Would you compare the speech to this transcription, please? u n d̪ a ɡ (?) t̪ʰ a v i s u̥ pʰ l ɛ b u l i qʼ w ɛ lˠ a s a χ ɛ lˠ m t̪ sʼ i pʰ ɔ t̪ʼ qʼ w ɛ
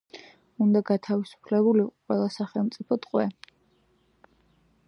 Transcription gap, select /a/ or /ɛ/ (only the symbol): a